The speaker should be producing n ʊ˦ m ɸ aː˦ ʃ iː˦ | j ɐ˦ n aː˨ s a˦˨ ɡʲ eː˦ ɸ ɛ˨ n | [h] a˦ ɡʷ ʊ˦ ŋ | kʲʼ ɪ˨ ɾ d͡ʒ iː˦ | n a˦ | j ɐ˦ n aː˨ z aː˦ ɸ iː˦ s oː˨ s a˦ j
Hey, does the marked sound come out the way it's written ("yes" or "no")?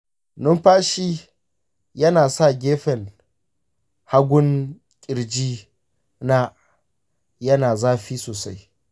yes